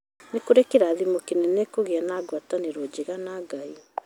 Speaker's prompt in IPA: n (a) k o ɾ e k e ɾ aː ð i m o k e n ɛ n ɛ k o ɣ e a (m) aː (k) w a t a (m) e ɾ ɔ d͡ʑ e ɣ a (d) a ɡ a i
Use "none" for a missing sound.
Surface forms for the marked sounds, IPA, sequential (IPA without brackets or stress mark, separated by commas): e, n, ɡ, n, n